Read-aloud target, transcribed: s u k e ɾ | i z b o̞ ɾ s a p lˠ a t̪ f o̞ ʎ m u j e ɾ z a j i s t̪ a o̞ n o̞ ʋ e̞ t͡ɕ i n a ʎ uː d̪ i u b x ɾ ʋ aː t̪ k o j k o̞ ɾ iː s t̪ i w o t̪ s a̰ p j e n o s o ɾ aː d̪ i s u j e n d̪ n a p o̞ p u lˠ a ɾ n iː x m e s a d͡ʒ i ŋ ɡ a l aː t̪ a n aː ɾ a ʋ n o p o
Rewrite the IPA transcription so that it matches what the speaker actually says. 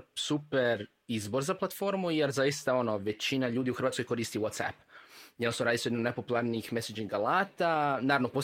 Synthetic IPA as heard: s u p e ɾ | i z b o̞ ɾ z a p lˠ a t̪ f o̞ ɾ m u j e ɾ z a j i s t̪ a o̞ n o̞ ʋ e̞ t͡ɕ i n a ʎ uː d̪ i u x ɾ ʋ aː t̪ k o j k o̞ ɾ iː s t̪ i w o t̪ s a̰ p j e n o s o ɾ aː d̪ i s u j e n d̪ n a p o̞ p u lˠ a ɾ n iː x m e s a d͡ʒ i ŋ ɡ a l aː t̪ a n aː ɾ a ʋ n o p o